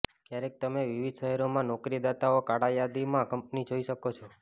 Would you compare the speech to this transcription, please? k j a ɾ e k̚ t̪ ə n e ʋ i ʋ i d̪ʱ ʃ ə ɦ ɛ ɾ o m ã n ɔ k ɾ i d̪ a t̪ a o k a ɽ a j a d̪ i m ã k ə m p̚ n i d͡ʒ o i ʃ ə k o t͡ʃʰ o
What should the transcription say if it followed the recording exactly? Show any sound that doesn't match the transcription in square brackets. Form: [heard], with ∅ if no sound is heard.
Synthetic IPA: k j a ɾ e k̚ t̪ ə [m] e ʋ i ʋ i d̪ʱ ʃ ə ɦ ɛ ɾ o m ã n ɔ k ɾ i d̪ a t̪ a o k a ɽ a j a d̪ i m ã k ə m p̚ n i d͡ʒ o i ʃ ə k o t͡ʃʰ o